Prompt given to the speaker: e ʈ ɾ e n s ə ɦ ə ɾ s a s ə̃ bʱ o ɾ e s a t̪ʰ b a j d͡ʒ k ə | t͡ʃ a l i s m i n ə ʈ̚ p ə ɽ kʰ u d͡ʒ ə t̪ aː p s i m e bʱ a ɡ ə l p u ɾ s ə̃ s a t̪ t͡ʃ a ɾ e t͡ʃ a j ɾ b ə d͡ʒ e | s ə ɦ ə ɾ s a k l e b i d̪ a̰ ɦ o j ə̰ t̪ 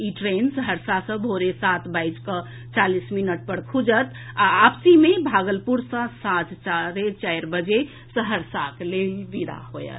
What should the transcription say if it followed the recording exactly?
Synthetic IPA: i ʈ ɾ e n s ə ɦ ə ɾ s a s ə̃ bʱ o ɾ e s a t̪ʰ b a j d͡ʒ k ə | t͡ʃ a l i s m i n ə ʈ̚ p ə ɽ kʰ u d͡ʒ ə t̪ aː p s i m e bʱ a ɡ ə l p u ɾ s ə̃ s a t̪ t͡ʃ a ɾ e t͡ʃ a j ɾ b ə d͡ʒ e | s ə ɦ ə ɾ s a k l e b i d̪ a̰ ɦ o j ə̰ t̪

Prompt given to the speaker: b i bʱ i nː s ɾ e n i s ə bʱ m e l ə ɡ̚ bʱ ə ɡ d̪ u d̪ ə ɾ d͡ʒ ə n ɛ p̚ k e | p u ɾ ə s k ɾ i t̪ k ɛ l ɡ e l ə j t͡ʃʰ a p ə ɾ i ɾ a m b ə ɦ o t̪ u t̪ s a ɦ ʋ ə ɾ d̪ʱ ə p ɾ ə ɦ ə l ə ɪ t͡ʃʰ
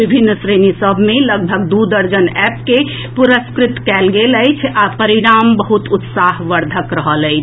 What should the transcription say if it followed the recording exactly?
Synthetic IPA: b i bʱ i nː s ɾ e n i s ə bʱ m e l ə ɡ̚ bʱ ə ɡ d̪ u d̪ ə ɾ d͡ʒ ə n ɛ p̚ k e | p u ɾ ə s k ɾ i t̪ k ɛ l ɡ e l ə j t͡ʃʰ a p ə ɾ i ɾ a m b ə ɦ u t̪ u t̪ s a ɦ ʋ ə ɾ d̪ʱ ə k ɾ ə ɦ ə l ə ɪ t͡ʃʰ

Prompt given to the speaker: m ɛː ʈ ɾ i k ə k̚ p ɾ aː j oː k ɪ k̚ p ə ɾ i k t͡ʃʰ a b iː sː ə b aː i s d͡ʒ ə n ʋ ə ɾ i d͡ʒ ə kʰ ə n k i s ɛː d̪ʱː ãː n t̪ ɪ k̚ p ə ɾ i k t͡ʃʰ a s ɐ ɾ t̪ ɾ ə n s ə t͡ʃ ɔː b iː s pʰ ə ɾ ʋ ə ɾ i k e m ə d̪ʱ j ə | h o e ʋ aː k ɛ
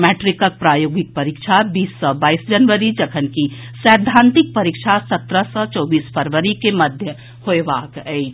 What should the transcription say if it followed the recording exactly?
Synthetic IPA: m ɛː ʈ ɾ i k ə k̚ p ɾ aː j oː ɡ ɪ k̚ p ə ɾ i k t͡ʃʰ a b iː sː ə b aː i s d͡ʒ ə n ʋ ə ɾ i d͡ʒ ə kʰ ə n k i s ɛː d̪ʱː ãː n t̪ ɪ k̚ p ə ɾ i k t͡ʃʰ a s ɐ t̪ ɾ ə s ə t͡ʃ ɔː b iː s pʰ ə ɾ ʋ ə ɾ i k e m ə d̪ʱ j ə | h o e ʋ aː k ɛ

